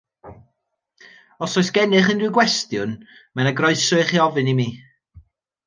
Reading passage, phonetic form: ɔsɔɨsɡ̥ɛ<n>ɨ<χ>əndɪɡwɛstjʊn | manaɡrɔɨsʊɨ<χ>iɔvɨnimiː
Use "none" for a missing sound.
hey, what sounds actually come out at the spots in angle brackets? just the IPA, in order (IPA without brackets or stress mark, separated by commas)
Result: n, χ, χ